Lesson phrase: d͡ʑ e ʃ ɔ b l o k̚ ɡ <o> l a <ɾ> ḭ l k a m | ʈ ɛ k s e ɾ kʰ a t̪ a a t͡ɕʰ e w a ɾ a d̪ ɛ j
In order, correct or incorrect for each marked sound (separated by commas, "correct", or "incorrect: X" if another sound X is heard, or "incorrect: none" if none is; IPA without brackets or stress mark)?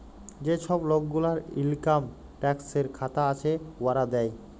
incorrect: u, correct